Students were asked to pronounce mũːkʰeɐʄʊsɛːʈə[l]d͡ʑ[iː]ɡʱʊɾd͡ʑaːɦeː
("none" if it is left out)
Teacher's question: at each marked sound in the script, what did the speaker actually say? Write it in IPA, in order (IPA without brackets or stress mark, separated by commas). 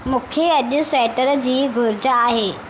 ɾ, iː